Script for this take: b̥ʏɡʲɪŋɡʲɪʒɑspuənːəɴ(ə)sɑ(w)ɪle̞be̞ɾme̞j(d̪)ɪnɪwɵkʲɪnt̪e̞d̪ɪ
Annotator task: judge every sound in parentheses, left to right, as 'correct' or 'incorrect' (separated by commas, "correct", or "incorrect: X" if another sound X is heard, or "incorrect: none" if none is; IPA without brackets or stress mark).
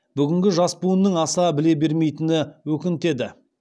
incorrect: ɑ, incorrect: b, incorrect: t̪